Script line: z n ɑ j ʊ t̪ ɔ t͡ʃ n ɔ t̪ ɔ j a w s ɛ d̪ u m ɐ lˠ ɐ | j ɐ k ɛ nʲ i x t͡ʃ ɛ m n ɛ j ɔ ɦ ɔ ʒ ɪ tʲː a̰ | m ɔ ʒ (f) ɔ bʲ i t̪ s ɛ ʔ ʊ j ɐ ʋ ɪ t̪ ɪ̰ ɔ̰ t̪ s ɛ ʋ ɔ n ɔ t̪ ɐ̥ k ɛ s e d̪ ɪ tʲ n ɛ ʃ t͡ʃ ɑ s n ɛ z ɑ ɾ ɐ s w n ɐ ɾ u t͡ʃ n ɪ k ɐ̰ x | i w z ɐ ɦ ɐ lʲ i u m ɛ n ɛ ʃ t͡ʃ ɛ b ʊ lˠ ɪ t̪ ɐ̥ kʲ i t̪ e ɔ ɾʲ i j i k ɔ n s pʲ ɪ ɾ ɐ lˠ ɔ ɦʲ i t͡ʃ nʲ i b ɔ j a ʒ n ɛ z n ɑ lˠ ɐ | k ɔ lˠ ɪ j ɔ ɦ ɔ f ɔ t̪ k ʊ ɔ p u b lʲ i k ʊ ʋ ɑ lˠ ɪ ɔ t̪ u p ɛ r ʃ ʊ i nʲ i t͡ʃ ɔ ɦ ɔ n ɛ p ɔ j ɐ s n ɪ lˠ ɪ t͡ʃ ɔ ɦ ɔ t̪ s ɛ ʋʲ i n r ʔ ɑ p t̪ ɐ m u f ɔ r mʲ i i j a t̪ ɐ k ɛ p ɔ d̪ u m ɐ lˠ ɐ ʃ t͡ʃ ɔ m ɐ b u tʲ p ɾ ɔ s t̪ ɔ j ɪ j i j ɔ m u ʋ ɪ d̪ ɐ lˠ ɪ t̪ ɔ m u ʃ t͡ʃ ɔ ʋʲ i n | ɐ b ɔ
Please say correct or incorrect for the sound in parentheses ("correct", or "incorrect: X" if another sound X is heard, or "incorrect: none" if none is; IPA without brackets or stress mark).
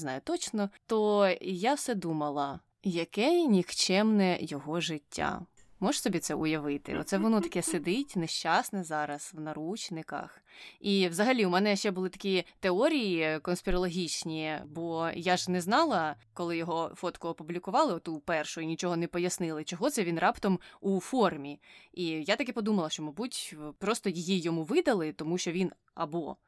incorrect: s